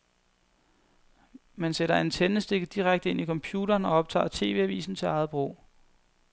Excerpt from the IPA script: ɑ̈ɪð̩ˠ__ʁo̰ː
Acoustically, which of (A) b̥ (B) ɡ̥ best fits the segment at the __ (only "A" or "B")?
A